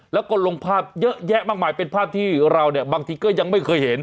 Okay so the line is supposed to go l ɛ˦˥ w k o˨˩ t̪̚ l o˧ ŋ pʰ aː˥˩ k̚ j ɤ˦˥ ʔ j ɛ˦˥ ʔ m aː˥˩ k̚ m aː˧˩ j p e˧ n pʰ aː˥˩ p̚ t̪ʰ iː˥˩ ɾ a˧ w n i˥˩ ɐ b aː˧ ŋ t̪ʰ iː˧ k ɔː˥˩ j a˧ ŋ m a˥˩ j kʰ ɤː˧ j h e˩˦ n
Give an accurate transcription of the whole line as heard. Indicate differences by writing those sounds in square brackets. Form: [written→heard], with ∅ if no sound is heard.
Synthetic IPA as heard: l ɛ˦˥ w k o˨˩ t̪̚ l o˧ ŋ pʰ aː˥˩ [k̚→p̚] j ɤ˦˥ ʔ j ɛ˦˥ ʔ m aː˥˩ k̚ m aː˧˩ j p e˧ n pʰ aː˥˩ p̚ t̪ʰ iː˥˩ ɾ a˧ w n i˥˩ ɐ b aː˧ ŋ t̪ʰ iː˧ k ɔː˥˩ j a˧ ŋ m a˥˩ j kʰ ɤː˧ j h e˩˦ n